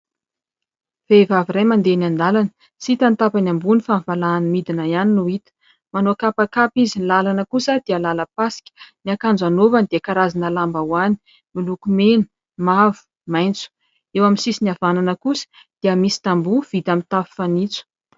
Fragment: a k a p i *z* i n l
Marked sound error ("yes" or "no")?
no